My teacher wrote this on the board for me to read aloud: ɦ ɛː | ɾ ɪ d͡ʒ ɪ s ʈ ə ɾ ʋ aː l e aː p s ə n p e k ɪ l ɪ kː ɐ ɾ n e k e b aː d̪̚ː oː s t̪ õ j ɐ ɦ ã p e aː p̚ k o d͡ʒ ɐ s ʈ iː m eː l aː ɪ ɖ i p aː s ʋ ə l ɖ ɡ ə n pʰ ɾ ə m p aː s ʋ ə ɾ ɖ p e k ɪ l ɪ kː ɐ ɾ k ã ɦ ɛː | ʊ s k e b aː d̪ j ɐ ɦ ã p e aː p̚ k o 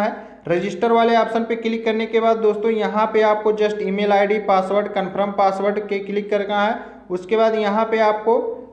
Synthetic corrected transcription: ɦ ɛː | ɾ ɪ d͡ʒ ɪ s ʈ ə ɾ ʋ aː l e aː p s ə n p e k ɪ l ɪ kː ɐ ɾ n e k e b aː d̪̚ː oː s t̪ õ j ɐ ɦ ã p e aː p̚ k o d͡ʒ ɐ s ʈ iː m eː l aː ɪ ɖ i p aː s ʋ ə ɾ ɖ k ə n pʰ ɾ ə m p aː s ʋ ə ɾ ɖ k e k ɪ l ɪ kː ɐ ɾ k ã ɦ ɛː | ʊ s k e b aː d̪ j ɐ ɦ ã p e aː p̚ k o